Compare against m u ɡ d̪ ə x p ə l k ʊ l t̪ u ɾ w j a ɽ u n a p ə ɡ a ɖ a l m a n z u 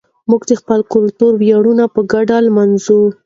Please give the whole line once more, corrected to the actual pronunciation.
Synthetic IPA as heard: m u ɡ d̪ ə x p ə l k ʊ l t̪ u ɾ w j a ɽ u n a p ə ɡ a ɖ a l m a n z u